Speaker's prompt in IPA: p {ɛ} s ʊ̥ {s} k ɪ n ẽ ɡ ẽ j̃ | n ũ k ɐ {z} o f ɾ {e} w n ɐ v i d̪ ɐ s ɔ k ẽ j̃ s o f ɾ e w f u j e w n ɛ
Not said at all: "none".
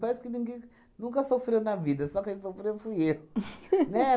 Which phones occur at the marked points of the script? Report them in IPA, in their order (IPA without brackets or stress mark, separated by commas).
ɛ, none, s, e